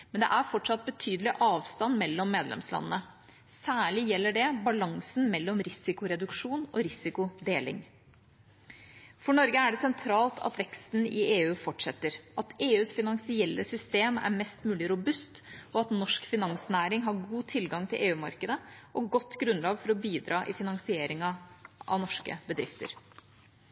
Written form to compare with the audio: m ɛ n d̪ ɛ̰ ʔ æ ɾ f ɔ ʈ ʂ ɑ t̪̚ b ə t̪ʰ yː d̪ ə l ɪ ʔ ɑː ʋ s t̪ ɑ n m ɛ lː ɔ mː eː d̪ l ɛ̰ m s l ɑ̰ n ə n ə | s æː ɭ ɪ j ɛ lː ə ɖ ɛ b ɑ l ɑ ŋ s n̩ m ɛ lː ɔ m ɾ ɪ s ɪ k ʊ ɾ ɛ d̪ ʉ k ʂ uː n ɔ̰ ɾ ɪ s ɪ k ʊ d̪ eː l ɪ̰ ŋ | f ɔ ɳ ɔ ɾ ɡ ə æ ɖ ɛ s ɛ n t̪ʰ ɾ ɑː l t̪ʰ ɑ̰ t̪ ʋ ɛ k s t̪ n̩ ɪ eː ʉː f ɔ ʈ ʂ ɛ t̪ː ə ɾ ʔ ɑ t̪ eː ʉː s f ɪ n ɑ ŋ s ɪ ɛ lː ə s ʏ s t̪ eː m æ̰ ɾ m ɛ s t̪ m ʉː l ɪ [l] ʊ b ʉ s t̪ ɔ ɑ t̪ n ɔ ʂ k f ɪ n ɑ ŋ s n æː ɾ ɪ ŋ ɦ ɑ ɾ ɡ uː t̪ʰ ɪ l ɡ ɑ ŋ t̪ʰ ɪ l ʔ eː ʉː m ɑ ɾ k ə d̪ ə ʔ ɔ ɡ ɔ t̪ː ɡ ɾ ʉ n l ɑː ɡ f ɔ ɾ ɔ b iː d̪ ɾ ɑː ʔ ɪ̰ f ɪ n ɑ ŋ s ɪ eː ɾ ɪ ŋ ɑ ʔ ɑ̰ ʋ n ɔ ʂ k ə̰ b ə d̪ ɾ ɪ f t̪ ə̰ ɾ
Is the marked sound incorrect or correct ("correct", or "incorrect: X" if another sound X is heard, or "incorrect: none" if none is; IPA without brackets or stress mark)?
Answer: incorrect: ɾ